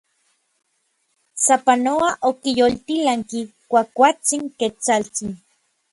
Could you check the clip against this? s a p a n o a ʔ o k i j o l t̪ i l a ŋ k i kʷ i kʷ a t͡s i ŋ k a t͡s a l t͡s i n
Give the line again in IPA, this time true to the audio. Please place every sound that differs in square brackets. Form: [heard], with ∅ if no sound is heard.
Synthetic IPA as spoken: s a p a n o a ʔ o k i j o l t̪ i l a ŋ k i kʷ [a] kʷ a t͡s i ŋ k [e] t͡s a l t͡s i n